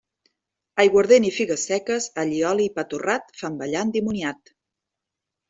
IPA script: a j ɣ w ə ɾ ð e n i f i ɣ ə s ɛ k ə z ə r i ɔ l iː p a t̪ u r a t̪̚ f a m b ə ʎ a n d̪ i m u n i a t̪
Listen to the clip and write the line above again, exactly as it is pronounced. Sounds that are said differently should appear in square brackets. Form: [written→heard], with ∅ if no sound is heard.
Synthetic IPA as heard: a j ɣ w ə ɾ ð e n i f i ɣ ə s ɛ k ə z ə [r→ʎ] i ɔ l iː p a t̪ u r a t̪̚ f a m b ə ʎ a n d̪ i m u n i a t̪